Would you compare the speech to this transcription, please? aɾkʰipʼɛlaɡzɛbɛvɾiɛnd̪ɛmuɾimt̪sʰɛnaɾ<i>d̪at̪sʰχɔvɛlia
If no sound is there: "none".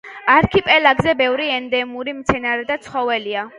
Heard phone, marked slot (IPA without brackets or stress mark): ɛ